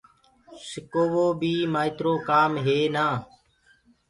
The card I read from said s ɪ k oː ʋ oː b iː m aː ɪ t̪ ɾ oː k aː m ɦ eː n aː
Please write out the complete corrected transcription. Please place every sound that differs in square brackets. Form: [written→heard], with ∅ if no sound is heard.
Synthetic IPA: s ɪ k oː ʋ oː b iː m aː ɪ t̪ ɾ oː k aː m ɦ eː n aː